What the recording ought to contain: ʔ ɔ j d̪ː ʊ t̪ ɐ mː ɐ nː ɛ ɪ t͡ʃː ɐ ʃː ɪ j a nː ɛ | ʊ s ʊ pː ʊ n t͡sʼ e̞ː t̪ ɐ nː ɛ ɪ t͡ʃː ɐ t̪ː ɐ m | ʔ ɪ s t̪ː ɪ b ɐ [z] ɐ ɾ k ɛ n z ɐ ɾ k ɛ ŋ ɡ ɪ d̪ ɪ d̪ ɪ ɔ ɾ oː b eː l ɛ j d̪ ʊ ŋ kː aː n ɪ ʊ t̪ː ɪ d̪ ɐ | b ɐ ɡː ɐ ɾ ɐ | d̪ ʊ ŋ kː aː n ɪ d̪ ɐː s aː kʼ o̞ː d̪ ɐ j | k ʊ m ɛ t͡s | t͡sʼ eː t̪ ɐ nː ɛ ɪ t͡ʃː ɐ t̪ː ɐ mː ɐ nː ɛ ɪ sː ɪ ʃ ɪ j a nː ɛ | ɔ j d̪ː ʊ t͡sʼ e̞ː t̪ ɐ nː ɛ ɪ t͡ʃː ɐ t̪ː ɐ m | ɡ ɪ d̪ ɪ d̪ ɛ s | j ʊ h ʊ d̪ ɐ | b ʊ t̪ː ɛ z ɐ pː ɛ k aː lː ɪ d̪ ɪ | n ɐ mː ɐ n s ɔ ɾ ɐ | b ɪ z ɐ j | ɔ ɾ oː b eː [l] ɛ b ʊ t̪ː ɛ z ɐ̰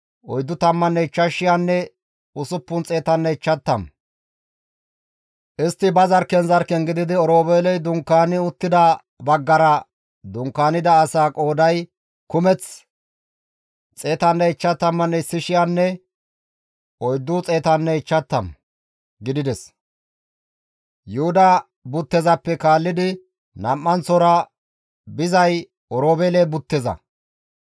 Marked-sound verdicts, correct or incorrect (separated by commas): correct, correct